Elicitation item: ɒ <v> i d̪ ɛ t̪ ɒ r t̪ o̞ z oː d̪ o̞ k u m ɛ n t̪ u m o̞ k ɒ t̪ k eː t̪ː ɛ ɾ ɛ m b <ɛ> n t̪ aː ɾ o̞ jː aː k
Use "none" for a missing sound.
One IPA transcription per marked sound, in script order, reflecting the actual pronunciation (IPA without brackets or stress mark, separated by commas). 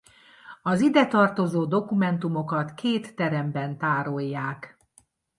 z, ɛ